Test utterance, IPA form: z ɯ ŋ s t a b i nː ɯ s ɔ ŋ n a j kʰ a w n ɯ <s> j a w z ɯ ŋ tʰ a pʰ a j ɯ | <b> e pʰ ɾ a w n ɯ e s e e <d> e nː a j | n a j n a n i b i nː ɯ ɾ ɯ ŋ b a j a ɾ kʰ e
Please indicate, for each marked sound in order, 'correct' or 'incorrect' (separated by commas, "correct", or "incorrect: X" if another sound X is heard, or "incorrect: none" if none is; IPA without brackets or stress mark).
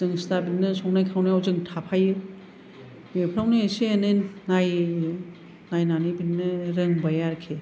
incorrect: none, correct, incorrect: n